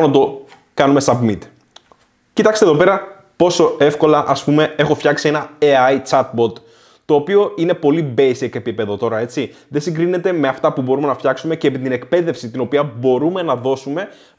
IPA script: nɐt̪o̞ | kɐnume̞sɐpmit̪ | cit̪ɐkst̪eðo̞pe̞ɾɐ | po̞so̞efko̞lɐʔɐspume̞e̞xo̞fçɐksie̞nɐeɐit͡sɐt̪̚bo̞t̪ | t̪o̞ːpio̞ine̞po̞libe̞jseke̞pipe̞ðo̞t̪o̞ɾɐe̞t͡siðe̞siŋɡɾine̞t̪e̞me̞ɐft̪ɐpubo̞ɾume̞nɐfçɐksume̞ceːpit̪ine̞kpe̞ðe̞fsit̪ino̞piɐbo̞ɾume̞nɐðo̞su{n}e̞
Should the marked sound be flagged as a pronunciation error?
yes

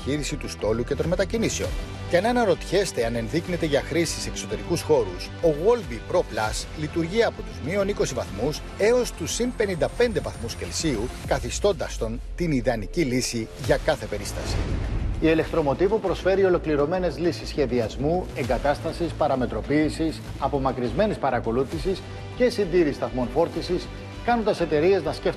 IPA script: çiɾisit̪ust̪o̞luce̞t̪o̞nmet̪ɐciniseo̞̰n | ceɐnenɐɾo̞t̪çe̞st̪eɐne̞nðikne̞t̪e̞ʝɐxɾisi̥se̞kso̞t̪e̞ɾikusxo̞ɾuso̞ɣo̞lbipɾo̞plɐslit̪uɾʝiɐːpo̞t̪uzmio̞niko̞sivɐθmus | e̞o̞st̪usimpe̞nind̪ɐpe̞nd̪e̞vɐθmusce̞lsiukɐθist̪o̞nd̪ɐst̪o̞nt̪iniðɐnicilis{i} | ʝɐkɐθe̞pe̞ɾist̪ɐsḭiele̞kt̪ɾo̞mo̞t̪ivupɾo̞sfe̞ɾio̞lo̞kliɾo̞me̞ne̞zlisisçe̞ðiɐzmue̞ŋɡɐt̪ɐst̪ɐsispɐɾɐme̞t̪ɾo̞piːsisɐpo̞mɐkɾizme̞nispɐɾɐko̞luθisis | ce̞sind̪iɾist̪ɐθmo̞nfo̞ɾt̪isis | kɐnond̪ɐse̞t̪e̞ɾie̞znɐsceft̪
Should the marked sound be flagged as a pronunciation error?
no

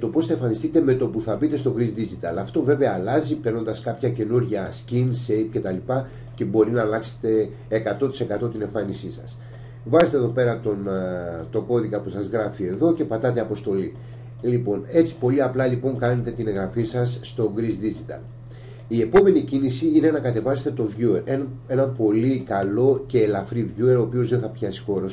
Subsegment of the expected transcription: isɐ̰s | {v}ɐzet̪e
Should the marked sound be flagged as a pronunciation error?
no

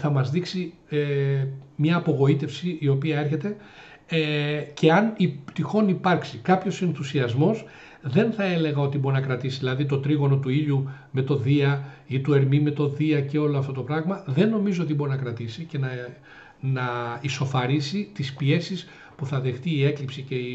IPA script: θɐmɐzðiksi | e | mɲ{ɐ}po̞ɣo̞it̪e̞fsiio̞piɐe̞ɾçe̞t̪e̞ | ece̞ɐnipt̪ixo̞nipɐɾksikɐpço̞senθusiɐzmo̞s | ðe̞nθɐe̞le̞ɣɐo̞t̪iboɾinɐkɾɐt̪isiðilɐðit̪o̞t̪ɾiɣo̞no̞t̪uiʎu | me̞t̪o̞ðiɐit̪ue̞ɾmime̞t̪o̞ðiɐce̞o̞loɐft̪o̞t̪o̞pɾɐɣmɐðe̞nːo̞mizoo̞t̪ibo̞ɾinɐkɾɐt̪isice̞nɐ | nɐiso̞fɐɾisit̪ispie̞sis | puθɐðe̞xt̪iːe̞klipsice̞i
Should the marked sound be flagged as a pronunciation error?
yes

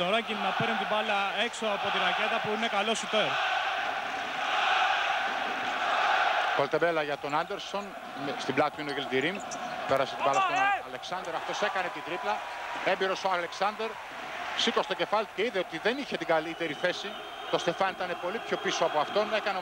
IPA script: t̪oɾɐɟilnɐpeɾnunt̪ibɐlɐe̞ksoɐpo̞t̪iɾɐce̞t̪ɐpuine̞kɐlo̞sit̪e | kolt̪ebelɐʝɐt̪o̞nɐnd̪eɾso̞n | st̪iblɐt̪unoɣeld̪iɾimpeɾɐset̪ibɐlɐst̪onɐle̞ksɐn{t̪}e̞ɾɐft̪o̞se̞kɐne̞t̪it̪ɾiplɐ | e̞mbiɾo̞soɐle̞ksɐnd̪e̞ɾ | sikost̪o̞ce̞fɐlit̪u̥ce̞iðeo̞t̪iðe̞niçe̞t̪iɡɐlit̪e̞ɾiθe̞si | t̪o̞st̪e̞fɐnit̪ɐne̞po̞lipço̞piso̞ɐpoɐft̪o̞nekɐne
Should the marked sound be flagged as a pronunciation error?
yes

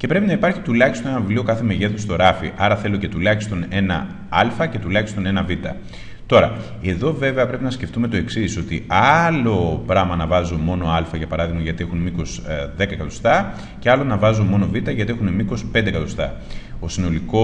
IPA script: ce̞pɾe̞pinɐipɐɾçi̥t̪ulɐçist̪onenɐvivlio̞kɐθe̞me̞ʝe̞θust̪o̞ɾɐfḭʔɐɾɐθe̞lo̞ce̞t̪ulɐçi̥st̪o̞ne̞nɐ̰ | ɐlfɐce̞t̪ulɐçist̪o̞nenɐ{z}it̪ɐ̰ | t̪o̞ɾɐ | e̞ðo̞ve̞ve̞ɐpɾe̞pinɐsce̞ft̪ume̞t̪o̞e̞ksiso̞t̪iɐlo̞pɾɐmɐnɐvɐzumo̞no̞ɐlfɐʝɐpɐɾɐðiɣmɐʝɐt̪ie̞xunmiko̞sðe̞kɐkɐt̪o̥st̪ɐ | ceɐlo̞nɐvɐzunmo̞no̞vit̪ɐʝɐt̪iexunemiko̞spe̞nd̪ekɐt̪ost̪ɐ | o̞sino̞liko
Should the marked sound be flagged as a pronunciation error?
yes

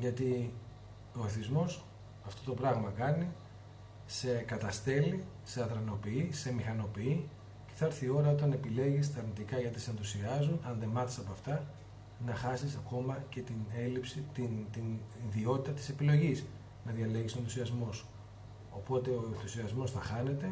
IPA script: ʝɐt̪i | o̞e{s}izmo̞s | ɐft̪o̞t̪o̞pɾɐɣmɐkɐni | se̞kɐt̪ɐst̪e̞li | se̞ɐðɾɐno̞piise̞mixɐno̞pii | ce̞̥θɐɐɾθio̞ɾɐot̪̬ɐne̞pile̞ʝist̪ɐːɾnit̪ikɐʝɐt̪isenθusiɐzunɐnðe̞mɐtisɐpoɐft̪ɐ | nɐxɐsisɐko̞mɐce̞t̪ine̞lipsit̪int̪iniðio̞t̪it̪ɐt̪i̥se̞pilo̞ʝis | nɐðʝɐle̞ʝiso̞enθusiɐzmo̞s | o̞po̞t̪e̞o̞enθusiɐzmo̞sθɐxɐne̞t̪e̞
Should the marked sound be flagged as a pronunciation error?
yes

